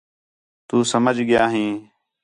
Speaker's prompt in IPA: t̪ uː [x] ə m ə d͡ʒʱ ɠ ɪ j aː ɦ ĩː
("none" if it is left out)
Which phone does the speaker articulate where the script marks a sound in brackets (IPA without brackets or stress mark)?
s